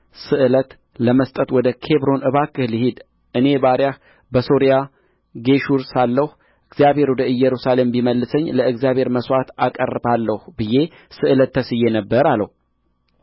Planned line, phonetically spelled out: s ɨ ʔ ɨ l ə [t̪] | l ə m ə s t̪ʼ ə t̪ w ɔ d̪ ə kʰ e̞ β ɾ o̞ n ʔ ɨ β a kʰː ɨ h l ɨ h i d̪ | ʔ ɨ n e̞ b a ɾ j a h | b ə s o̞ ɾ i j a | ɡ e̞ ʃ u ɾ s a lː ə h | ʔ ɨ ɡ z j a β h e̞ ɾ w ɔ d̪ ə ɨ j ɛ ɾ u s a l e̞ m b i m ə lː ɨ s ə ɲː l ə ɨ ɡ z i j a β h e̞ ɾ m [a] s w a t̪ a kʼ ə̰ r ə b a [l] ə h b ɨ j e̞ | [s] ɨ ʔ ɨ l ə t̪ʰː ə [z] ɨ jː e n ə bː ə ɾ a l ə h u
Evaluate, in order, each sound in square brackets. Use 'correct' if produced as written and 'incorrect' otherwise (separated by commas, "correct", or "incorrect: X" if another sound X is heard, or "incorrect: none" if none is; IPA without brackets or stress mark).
correct, incorrect: ə, incorrect: lː, correct, incorrect: s